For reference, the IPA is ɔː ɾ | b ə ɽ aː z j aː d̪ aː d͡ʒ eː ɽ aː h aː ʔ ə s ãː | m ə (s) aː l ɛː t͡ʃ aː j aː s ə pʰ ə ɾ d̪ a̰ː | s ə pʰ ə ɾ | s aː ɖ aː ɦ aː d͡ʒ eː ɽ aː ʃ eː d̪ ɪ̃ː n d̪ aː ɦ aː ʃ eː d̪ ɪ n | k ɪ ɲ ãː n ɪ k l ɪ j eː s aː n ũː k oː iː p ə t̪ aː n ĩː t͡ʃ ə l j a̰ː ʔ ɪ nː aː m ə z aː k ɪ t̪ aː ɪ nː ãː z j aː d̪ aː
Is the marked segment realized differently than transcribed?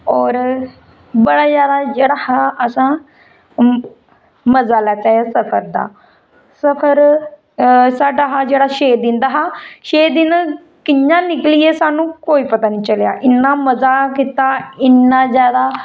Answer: yes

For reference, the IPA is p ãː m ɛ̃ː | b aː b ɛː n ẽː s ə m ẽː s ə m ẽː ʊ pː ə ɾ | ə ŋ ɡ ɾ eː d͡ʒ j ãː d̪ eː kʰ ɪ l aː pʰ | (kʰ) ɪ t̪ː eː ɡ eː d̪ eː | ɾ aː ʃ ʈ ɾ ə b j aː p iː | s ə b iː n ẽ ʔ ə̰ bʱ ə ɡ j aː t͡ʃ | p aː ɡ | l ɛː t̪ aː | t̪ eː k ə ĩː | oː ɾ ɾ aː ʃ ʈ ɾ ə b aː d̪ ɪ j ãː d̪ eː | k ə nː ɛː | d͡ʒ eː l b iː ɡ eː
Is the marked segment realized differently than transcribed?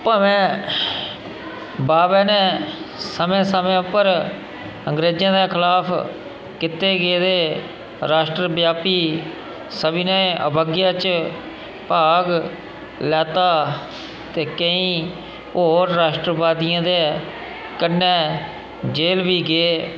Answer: yes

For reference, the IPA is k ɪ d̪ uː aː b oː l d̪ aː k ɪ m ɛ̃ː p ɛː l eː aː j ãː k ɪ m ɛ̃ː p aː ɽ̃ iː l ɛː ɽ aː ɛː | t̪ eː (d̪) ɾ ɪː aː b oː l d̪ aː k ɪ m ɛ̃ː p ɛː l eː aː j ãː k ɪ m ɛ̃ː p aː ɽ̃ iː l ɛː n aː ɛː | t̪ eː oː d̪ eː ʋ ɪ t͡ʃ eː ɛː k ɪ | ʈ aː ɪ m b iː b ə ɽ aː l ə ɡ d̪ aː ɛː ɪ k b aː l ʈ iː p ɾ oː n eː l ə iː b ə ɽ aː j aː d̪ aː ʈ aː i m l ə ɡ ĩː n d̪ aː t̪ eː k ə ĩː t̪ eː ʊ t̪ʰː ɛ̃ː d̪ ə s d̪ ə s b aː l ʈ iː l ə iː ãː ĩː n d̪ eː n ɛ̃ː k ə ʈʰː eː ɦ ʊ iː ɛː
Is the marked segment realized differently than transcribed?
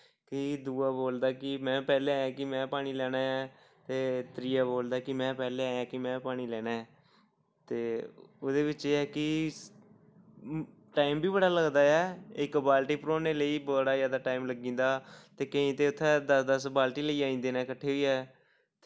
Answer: yes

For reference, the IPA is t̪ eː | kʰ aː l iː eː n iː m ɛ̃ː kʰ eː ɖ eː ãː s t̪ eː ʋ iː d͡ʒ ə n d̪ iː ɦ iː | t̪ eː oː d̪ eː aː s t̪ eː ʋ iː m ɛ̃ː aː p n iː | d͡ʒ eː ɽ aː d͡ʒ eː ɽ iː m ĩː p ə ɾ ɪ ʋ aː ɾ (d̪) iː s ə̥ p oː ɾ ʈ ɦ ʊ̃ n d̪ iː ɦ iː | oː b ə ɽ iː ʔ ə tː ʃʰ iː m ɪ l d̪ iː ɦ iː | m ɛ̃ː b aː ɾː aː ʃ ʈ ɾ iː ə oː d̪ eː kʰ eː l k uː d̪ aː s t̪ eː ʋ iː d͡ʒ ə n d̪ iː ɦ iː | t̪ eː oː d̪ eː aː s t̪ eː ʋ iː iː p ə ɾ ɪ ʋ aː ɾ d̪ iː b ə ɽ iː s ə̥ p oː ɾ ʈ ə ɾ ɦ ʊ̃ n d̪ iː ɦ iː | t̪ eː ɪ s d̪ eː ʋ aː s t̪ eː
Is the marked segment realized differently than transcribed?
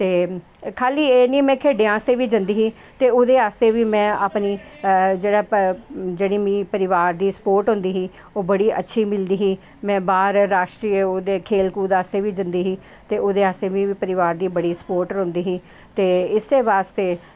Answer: no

